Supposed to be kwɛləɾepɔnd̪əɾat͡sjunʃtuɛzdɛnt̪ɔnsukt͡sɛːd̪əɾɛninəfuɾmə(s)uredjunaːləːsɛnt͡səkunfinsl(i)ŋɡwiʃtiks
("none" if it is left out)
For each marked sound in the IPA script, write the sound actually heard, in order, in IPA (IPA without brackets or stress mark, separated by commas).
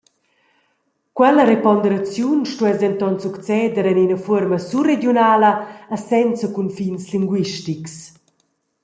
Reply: s, i